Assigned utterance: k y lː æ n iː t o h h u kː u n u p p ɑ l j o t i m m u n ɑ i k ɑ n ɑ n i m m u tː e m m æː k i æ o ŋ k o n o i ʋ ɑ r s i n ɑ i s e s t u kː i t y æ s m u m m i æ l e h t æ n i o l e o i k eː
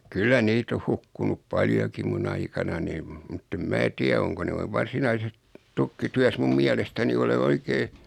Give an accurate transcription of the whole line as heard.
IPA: k y lː æ n iː t o h h u kː u n u p p ɑ l j o k i m m u n ɑ i k ɑ n ɑ n i m m u tː e m m æː t i æ o ŋ k o n o i ʋ ɑ r s i n ɑ i s e s t u kː i t y æ s m u m m i æ l e s t æ n i o l e o i k eː